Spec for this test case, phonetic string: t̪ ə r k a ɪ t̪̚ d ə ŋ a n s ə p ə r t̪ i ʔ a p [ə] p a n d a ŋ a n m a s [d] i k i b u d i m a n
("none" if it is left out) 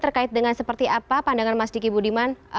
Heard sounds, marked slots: a, d

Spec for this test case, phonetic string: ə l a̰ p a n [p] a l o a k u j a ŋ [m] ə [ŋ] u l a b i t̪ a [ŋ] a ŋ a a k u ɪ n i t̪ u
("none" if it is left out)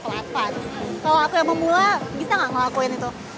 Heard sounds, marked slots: k, m, m, ŋ

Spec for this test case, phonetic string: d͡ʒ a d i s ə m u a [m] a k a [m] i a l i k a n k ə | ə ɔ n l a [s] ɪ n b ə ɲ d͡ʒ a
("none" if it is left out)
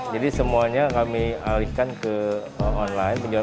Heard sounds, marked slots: ɲ, m, none

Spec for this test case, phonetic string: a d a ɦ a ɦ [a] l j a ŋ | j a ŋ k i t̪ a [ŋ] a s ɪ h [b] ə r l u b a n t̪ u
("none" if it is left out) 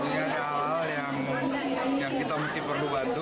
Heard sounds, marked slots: a, m, p

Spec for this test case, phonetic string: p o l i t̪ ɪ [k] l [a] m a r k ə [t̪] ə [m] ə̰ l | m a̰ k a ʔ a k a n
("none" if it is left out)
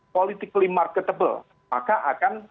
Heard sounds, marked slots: k, i, t̪, b

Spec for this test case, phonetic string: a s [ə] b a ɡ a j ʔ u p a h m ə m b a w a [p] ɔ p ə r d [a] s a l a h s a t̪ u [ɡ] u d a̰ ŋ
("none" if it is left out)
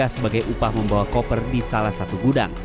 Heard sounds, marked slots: ə, k, i, ɡ

